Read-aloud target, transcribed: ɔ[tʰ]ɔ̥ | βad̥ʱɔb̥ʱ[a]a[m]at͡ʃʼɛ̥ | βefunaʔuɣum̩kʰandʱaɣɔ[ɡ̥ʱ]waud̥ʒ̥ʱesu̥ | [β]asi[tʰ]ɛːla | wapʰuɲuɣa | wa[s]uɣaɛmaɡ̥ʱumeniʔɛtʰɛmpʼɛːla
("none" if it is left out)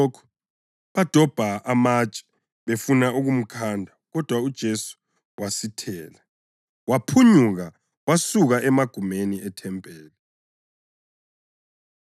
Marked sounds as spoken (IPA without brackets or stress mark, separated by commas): kʰ, a, m, d̥ʱ, w, tʰ, s